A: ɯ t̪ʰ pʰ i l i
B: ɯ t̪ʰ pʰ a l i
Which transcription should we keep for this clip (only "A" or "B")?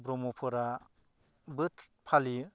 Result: B